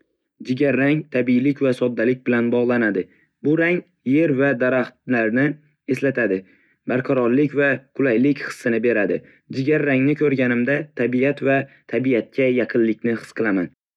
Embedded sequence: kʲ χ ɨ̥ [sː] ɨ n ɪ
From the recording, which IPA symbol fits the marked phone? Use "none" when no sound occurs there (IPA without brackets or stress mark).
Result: sː